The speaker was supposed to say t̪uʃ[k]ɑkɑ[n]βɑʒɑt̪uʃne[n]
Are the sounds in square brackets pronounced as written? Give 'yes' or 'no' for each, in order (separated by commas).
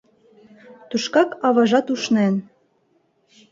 yes, no, yes